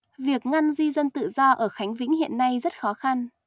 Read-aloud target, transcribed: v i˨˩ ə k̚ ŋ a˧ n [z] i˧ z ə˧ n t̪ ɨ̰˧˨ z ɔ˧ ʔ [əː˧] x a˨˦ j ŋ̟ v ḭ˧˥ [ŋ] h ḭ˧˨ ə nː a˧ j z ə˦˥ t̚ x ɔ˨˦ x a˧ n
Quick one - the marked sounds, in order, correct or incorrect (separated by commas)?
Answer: correct, incorrect, correct